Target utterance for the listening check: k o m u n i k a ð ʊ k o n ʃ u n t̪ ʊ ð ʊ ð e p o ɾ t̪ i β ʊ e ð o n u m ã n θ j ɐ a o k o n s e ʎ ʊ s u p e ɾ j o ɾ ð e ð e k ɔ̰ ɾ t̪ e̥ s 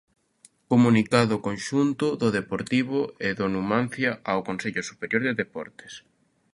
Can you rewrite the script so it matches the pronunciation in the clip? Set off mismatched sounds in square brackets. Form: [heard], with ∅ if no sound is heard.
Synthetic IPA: k o m u n i k a ð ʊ k o n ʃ u n t̪ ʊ ð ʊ ð e p o ɾ t̪ i β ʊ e ð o n u m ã n θ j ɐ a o k o n s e ʎ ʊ s u p e ɾ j o ɾ ð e ð e [p] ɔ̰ ɾ t̪ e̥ s